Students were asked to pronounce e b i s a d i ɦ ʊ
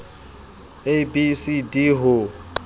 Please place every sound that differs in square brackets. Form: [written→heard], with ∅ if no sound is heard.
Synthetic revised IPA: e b i s [a→i] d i ɦ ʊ